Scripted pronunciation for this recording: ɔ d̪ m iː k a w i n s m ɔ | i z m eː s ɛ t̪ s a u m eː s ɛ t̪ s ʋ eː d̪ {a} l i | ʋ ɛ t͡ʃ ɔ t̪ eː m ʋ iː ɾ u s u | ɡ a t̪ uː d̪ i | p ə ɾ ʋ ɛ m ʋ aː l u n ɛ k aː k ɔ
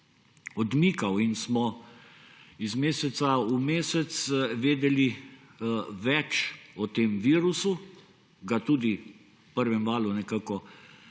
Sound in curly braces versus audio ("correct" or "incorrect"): incorrect